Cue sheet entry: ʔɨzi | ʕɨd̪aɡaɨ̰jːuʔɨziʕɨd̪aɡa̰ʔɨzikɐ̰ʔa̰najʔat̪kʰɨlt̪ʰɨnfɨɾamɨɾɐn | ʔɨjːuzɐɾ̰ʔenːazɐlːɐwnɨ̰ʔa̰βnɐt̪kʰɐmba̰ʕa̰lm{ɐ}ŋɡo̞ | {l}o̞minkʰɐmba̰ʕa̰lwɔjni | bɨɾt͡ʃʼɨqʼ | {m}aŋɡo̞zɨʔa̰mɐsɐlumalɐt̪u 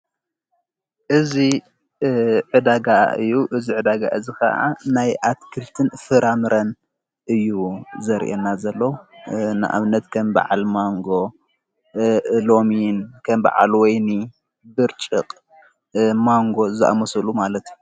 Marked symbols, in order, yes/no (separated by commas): no, yes, yes